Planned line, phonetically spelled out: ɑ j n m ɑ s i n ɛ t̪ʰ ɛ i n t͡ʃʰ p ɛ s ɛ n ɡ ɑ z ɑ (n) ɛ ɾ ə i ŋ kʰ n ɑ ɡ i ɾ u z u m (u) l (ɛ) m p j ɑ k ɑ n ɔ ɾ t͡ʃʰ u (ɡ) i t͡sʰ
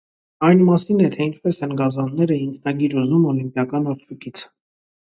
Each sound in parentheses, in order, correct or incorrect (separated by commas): incorrect, incorrect, incorrect, incorrect